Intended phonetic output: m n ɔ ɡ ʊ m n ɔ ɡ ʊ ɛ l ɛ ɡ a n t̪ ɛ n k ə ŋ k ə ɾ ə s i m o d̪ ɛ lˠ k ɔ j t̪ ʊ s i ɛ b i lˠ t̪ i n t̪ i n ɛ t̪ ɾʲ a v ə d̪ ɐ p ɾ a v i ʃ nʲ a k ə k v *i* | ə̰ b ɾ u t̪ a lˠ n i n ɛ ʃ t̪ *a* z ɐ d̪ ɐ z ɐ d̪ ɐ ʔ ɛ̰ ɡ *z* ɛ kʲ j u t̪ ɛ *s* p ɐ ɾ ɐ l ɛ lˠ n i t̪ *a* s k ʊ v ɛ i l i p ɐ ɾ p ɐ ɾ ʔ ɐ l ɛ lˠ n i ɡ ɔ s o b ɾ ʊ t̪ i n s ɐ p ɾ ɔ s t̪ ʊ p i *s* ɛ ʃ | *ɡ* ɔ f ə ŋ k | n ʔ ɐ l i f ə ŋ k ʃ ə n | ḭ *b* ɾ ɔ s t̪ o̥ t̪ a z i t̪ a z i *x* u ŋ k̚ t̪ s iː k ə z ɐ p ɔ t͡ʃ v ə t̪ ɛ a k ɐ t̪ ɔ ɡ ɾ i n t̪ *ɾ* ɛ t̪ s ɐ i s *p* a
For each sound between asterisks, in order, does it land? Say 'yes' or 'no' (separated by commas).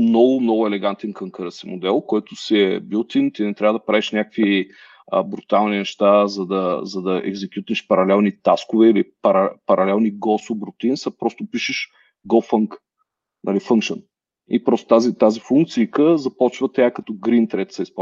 yes, yes, yes, no, yes, no, yes, no, no, yes, yes